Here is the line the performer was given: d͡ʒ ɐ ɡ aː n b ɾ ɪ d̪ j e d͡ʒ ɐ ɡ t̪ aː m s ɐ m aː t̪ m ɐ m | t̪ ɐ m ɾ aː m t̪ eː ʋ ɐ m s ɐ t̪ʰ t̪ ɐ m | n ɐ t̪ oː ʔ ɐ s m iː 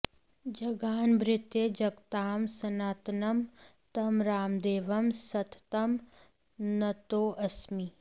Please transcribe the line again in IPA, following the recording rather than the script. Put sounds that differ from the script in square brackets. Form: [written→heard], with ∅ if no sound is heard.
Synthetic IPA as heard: d͡ʒ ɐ ɡ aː n b ɾ ɪ [d̪→t̪] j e d͡ʒ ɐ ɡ t̪ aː m s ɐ [m→n] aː t̪ [m→n] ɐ m | t̪ ɐ m ɾ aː m [t̪→d̪] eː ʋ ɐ m s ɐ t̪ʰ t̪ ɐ m | n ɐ t̪ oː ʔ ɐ s m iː